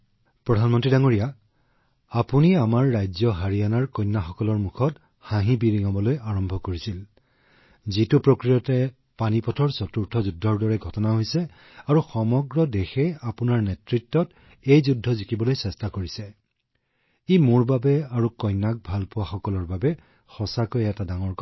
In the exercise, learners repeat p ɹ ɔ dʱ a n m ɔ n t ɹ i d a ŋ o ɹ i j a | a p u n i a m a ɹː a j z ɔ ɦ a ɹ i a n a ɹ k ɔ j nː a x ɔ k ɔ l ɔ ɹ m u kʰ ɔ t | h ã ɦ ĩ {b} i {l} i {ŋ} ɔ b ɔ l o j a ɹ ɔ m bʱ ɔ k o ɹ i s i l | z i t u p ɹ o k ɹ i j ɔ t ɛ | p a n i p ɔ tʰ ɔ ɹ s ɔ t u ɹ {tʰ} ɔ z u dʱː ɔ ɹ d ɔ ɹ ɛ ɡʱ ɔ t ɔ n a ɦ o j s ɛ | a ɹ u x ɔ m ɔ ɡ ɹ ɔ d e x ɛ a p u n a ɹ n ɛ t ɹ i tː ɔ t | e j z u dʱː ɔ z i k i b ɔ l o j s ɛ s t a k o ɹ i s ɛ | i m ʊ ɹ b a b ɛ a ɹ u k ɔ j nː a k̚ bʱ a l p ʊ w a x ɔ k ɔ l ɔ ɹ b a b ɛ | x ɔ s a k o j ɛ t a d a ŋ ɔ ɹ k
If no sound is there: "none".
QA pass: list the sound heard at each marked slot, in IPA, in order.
b, ɹ, ŋ, tʰ

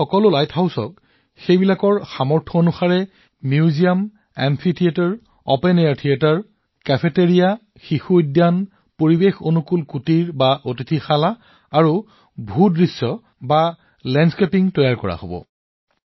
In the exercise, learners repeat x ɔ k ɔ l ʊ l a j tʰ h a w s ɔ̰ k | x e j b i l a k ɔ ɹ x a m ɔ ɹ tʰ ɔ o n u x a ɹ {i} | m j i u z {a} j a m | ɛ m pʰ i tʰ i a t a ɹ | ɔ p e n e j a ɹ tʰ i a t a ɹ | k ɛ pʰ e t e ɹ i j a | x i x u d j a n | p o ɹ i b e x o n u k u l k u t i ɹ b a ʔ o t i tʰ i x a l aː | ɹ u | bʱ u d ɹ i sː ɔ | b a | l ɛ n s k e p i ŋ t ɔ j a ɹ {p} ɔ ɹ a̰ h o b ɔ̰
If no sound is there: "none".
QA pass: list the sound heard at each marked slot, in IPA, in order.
ɛ, i, k

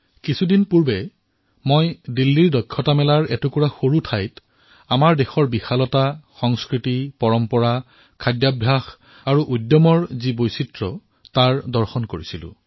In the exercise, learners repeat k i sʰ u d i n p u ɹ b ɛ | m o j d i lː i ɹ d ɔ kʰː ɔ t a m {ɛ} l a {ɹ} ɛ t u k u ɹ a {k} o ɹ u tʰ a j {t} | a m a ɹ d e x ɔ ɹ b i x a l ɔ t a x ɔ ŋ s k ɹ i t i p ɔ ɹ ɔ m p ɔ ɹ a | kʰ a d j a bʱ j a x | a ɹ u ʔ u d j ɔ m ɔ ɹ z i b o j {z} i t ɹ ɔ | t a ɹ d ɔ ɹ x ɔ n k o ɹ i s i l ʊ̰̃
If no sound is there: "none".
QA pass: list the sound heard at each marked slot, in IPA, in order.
ɛ, ɹ, x, t, s

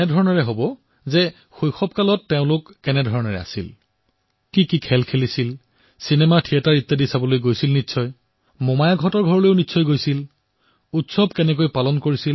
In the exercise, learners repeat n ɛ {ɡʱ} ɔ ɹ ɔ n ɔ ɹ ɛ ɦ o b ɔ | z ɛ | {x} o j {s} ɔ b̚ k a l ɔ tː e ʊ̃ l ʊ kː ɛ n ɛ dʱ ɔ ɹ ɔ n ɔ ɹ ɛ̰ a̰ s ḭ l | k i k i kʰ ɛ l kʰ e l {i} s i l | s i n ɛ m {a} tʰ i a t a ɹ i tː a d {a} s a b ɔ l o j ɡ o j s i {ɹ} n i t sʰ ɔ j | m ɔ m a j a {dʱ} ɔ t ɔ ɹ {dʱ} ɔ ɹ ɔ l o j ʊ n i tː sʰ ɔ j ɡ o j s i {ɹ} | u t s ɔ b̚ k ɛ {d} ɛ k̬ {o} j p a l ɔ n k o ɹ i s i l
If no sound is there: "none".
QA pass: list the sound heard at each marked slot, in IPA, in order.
dʱ, x, x, i, a, i, l, ɡʱ, ɡʱ, l, n, o

